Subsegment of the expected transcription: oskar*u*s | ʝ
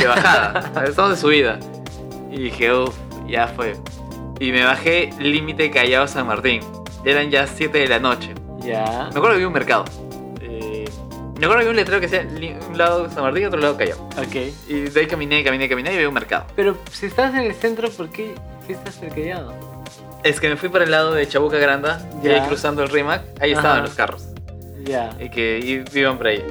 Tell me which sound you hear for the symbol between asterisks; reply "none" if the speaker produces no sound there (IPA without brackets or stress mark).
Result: o